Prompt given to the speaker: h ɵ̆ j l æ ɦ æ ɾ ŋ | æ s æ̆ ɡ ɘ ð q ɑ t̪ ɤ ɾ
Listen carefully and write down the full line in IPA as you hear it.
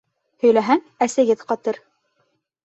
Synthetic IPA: h ɵ̆ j l æ ɦ æ ŋ | æ s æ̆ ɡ ɘ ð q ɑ t̪ ɤ ɾ